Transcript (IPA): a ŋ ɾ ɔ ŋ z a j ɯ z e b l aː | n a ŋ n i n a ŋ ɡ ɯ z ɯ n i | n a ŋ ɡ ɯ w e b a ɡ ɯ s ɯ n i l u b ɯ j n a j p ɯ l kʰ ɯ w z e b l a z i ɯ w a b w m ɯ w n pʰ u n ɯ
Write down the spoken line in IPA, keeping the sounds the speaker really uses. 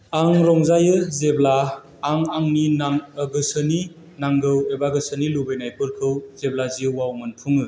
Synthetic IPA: a ŋ ɾ ɔ ŋ z a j ɯ z e b l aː | ŋ a ŋ n i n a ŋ ɡ ɯ s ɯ n i | n a ŋ ɡ ɯ w e b a ɡ ɯ s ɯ n i l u b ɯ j n a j p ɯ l kʰ ɯ w z e b l a z i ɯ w a w m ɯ n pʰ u ŋ ɯ